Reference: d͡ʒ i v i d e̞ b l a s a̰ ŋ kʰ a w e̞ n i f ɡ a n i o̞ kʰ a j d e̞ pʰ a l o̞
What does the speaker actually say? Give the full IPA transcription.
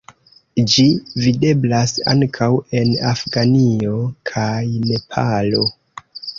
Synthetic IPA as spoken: d͡ʒ i v i d e̞ b l a s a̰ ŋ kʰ a w e̞ n a f ɡ a n i o̞ kʰ a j n e̞ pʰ a l o̞